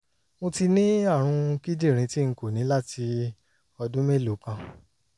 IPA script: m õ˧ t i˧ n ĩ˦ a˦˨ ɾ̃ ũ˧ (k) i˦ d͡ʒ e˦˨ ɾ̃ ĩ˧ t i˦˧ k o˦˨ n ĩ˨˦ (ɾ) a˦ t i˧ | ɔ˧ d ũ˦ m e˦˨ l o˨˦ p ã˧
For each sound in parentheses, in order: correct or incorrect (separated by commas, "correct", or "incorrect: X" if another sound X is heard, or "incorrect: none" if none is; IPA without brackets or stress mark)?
correct, incorrect: l